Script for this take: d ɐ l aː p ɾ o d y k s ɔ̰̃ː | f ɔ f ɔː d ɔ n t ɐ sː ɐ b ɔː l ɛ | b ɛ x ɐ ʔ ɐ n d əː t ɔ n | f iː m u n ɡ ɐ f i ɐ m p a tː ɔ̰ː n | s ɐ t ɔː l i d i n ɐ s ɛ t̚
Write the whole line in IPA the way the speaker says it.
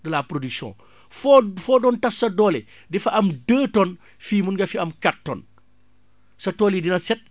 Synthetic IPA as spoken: d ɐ l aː p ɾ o d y k s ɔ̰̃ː | f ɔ f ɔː d ɔ n t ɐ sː ɐ d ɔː l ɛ | d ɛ f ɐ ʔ ɐ m d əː t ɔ n | f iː m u n ɡ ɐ f i ɐ m k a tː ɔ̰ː n | s ɐ t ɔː l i d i n ɐ s ɛ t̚